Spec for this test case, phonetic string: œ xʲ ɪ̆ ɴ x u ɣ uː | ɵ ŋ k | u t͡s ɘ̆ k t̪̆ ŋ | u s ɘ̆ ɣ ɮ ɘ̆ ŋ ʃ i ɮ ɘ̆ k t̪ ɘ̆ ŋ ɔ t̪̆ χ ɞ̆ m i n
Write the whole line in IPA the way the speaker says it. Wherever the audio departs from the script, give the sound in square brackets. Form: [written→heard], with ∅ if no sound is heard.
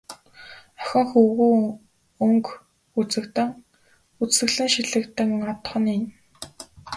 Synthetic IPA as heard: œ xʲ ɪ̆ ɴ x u ɣ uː | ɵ ŋ k | u t͡s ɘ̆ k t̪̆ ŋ | u [s→t͡s] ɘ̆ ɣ ɮ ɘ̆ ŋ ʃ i ɮ ɘ̆ k t̪ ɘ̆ ŋ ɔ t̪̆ χ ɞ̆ [m→n] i n